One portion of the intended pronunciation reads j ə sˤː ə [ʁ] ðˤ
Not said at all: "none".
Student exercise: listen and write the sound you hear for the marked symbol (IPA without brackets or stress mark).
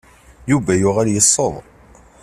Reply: none